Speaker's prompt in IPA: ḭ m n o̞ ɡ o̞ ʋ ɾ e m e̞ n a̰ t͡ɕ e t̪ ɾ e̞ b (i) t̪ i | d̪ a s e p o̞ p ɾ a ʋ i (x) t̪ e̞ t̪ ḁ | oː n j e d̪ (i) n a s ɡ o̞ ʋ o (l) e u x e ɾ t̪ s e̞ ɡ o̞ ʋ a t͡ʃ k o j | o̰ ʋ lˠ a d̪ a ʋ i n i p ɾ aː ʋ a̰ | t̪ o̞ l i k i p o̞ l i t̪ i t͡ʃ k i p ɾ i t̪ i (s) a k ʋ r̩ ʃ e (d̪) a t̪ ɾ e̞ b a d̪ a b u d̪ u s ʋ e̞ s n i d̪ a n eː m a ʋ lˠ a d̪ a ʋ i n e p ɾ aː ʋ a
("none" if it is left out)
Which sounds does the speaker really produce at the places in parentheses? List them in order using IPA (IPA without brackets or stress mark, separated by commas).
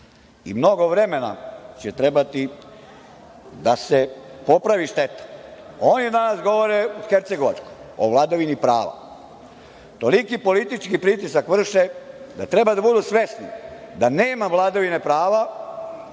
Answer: a, ʃ, a, ɾ, s, d̪